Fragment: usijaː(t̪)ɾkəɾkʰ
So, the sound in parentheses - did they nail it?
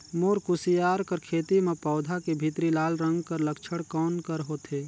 no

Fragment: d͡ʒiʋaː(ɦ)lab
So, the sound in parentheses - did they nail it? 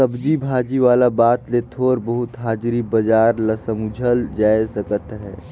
no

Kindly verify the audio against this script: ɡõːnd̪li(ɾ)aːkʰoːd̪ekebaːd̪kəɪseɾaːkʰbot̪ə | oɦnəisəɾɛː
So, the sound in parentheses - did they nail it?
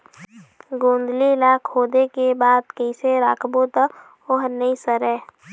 no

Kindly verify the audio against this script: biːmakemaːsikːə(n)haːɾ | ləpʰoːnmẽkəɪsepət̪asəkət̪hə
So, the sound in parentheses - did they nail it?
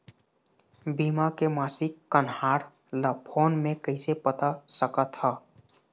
yes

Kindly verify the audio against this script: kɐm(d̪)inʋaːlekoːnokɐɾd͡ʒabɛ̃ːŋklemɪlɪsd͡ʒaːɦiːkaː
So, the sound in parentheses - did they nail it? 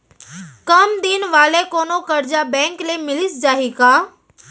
yes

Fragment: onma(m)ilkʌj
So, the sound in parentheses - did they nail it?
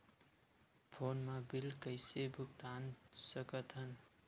no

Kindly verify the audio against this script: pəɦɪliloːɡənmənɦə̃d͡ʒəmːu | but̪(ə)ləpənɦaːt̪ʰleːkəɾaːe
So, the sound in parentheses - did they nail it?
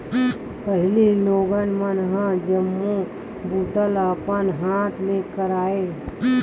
yes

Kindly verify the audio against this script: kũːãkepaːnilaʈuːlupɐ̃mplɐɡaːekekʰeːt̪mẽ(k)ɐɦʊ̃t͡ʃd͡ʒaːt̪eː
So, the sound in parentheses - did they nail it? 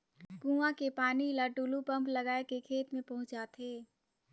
no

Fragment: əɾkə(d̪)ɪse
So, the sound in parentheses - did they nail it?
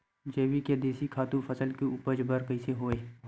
no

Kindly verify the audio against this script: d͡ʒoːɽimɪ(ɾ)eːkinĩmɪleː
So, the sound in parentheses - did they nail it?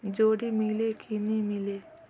no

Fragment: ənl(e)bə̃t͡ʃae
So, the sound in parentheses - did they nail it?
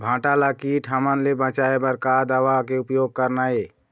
yes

